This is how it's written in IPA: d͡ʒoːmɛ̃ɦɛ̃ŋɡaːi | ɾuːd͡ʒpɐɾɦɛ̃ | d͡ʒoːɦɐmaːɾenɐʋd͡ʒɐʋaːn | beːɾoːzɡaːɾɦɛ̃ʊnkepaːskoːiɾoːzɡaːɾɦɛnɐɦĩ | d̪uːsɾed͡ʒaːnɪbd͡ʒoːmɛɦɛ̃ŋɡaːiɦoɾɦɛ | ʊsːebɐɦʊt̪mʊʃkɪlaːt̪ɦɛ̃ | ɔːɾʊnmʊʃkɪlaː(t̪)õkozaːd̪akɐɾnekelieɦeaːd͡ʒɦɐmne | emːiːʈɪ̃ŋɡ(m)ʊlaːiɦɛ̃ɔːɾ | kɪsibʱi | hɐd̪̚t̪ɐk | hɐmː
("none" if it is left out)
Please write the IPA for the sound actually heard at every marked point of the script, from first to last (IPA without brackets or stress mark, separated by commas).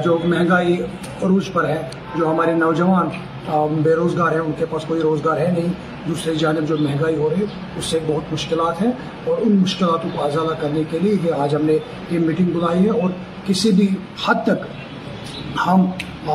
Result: t̪, b